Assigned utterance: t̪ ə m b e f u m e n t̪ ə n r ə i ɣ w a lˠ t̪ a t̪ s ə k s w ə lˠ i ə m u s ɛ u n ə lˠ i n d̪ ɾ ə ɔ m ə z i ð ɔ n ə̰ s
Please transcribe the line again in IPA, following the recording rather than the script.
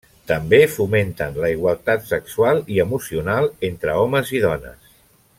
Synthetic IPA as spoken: t̪ ə m b e f u m e n t̪ ə n l ə i ɣ w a lˠ t̪ a t̪ s ə k s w a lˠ i ə m u s i u n a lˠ e n t̪ ɾ ə ɔ m ə z i ð ɔ n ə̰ s